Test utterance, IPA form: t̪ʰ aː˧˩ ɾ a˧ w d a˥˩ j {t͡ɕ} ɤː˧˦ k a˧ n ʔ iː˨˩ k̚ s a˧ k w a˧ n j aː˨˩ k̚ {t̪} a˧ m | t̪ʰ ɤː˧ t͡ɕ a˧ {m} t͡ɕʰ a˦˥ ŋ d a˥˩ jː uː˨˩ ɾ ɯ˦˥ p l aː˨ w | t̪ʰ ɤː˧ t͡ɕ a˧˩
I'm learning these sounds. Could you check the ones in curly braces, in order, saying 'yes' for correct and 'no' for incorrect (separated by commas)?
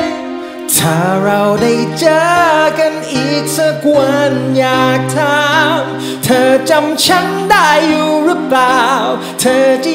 yes, no, yes